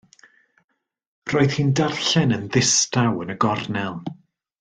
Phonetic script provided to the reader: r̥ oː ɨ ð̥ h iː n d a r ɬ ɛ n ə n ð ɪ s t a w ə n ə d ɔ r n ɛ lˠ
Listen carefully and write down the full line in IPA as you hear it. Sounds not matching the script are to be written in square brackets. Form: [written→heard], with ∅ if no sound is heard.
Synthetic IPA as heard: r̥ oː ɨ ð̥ h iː n d a r ɬ ɛ n ə n ð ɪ s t a w ə n ə [d→ɡ] ɔ r n ɛ lˠ